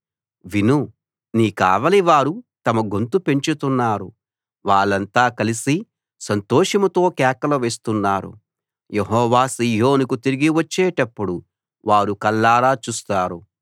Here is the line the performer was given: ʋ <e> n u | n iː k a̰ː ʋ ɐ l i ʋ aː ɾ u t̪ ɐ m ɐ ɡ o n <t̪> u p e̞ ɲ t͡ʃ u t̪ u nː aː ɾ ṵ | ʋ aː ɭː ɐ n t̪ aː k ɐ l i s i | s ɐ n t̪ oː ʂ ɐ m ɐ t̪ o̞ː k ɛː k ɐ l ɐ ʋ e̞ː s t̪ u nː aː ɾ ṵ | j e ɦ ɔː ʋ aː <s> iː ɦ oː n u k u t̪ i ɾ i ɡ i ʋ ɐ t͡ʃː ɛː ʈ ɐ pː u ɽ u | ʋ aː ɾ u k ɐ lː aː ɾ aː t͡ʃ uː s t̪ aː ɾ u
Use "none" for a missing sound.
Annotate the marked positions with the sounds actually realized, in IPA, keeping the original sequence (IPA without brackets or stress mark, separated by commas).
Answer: i, t̪, s